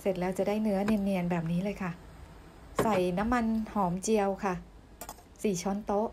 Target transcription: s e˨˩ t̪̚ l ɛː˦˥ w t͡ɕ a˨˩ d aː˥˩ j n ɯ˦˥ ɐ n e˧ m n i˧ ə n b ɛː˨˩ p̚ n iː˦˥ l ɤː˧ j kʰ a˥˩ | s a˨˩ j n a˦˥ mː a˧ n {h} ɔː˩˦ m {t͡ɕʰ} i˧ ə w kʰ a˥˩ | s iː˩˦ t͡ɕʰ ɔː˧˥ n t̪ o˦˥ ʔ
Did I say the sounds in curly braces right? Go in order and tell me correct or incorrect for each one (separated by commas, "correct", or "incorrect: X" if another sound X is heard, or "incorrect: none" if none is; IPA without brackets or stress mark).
correct, incorrect: t͡ɕ